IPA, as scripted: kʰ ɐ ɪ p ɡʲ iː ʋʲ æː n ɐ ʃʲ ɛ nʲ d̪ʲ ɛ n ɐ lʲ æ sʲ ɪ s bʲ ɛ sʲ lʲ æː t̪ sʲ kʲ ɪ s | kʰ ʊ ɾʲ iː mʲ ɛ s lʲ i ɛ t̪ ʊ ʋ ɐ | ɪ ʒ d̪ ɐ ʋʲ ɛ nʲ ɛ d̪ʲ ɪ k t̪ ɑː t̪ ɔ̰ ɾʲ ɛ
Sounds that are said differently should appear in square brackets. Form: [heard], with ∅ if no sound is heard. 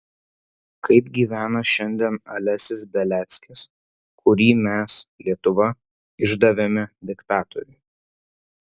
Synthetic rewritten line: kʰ ɐ ɪ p ɡʲ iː ʋʲ æː n ɐ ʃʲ ɛ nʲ d̪ʲ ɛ n ɐ lʲ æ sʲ ɪ s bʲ ɛ [∅] lʲ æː t̪ sʲ kʲ ɪ s | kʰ ʊ ɾʲ iː mʲ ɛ s lʲ i ɛ t̪ ʊ ʋ ɐ | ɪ ʒ d̪ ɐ ʋʲ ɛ [mʲ] ɛ d̪ʲ ɪ k t̪ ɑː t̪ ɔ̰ ɾʲ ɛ